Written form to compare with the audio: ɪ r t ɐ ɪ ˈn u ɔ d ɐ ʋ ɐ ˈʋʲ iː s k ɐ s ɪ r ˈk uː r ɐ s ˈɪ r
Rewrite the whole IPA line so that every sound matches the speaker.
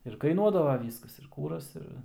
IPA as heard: ɪ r k ɐ ɪ ˈn u ɔ d ɐ ʋ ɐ ˈʋʲ iː s k ɐ s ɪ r ˈk uː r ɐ s ˈɪ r